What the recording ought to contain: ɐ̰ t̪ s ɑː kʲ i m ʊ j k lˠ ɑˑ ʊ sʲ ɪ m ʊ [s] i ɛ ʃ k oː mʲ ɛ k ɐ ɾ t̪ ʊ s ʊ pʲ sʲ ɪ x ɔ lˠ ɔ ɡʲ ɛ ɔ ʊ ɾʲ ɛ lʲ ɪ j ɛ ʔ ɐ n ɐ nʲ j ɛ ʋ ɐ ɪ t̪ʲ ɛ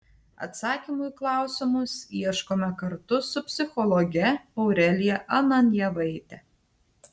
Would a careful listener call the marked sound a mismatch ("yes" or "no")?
no